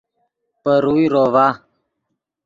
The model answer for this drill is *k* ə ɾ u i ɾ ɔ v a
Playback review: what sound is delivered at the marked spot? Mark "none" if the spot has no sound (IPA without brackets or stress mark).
p